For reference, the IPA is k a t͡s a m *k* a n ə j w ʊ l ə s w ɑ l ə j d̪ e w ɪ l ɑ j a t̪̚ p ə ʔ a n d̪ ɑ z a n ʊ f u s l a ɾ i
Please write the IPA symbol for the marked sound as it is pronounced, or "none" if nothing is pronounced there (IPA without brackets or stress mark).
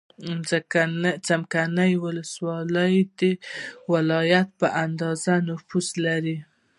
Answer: k